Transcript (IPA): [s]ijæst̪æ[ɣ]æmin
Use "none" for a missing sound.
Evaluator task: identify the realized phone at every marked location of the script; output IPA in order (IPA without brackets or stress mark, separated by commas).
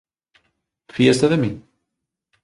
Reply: f, ð